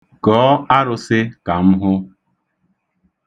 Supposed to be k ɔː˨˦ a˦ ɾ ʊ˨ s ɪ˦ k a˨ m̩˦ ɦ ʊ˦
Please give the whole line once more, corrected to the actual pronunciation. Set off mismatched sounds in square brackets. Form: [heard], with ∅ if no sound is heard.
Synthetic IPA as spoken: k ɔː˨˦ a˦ ɾ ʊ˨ s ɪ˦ k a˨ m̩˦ ɦ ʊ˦